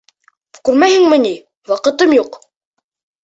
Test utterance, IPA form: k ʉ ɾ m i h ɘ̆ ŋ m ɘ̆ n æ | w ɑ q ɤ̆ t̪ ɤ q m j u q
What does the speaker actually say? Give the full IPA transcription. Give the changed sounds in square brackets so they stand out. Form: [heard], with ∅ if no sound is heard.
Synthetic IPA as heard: k ʉ ɾ m [æ] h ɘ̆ ŋ m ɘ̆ n [i] | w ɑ q ɤ̆ t̪ ɤ [∅] m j u q